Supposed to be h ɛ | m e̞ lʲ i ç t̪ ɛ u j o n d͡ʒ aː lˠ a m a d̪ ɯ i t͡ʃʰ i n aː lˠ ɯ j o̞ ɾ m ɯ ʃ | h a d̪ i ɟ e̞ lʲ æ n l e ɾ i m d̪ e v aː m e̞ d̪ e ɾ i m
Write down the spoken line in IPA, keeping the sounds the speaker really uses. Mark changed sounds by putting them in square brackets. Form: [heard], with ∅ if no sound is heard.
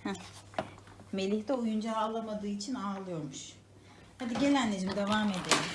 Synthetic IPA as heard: h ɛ | m e̞ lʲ i ç t̪ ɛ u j [u] n d͡ʒ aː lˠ a m a d̪ [ɯː] i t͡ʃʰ i n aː lˠ ɯ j o̞ ɾ m [u] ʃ | h a d̪ i ɟ e̞ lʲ æ n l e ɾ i m d̪ e v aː m e̞ d̪ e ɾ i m